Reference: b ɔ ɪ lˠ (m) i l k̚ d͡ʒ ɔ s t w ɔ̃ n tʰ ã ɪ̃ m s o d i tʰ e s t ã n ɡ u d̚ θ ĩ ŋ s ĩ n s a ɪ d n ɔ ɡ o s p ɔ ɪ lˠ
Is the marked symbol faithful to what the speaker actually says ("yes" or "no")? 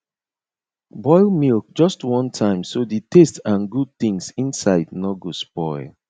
yes